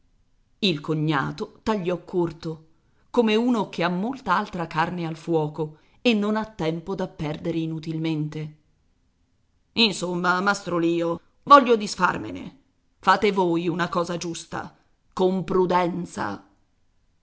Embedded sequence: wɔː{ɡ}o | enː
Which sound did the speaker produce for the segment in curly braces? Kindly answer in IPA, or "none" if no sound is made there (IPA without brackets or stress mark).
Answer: k